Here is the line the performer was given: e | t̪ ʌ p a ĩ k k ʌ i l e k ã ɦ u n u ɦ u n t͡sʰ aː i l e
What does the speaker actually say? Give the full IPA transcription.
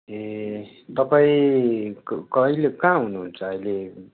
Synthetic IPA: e | t̪ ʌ p a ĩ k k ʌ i l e k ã ɦ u n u ɦ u n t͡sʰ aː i l e